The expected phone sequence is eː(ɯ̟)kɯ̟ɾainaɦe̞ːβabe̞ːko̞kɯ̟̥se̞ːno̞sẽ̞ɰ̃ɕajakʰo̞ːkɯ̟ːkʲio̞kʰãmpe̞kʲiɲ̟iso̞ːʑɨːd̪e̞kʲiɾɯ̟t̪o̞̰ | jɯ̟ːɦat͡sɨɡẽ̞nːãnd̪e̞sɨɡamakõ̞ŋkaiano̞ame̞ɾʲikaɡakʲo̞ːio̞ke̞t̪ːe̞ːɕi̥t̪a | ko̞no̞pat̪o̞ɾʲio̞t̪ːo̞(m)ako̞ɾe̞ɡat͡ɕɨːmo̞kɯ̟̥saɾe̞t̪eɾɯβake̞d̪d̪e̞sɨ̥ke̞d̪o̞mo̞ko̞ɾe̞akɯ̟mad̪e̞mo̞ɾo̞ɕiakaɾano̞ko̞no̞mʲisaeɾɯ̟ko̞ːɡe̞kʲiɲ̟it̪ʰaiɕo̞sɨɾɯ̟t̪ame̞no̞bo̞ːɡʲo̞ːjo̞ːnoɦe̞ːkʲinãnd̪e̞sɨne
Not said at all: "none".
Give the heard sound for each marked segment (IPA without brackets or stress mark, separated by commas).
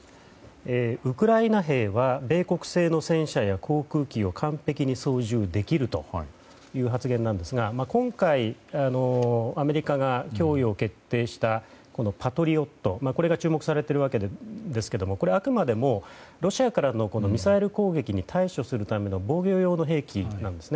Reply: ɯ̟, m